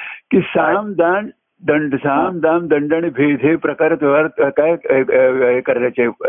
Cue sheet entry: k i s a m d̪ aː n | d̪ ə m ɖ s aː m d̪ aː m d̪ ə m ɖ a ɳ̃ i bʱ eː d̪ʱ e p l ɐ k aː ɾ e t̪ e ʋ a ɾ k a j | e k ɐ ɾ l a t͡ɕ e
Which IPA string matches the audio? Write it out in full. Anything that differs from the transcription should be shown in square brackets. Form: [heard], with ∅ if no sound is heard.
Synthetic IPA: k i s a m d̪ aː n | d̪ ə [ɳ] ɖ s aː m d̪ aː m d̪ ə [ɳ] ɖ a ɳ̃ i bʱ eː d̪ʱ e p [ɾ] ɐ k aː ɾ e t̪ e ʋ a ɾ k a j | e k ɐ ɾ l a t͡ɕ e